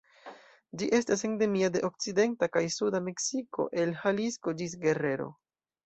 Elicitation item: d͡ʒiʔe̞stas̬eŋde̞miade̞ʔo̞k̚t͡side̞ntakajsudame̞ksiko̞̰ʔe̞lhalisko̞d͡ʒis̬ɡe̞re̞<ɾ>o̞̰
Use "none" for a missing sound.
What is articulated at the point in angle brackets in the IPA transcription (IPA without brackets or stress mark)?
ɾ